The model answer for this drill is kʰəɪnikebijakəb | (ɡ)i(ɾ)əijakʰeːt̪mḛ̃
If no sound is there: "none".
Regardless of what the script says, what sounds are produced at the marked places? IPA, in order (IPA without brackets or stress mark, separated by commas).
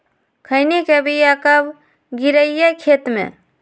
ɡ, ɾ